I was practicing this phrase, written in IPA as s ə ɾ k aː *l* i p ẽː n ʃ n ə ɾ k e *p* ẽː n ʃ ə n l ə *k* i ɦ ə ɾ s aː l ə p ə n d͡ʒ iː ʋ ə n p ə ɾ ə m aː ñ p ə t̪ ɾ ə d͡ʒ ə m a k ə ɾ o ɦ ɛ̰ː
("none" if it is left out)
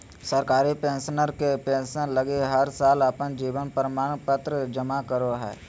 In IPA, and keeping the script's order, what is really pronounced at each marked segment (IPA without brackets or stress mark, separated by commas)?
ɾ, p, ɡ